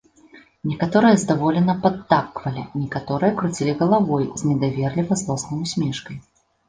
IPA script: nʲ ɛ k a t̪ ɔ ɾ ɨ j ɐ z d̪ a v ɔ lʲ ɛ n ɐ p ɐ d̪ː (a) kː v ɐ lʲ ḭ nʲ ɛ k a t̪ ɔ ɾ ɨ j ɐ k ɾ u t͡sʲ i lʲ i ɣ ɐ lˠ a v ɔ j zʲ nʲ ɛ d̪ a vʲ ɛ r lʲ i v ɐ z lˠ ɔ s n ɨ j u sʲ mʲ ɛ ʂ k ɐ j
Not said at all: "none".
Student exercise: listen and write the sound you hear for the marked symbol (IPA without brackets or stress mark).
a